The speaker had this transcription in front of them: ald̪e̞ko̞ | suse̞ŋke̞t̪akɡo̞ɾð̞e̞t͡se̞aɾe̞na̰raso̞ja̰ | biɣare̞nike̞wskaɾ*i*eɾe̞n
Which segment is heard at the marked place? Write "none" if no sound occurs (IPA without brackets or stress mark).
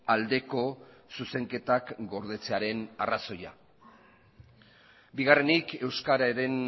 a